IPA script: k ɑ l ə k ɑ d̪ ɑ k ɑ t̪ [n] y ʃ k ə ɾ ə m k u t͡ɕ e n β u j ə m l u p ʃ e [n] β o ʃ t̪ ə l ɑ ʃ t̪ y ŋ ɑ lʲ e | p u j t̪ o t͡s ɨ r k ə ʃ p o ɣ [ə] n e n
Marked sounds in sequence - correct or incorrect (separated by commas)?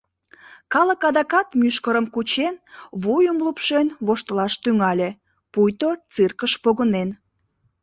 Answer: incorrect, correct, correct